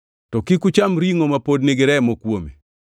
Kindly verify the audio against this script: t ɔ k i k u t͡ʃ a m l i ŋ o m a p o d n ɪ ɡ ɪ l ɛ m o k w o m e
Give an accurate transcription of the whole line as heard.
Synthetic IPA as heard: t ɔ k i k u t͡ʃ a m ɾ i ŋ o m a p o d n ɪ ɡ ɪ ɾ ɛ m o k w o m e